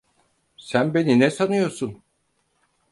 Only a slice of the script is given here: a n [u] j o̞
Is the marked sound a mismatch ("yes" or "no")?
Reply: yes